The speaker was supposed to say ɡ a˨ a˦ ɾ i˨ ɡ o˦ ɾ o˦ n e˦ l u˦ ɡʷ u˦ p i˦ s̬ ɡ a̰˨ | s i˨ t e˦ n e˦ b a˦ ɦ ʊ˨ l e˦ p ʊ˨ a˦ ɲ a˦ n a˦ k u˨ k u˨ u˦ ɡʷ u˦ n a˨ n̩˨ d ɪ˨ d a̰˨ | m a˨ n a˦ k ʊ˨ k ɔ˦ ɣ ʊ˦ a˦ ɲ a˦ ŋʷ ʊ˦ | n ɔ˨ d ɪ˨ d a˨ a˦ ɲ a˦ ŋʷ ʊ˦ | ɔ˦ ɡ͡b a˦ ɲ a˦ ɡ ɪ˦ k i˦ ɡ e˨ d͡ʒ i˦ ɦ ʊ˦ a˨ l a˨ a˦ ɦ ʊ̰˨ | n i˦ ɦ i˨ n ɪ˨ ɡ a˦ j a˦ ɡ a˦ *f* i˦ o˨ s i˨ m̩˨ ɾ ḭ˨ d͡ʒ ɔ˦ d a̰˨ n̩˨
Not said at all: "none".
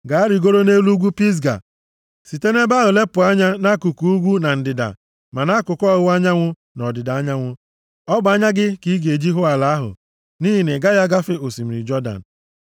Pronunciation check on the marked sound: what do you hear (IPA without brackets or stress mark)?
f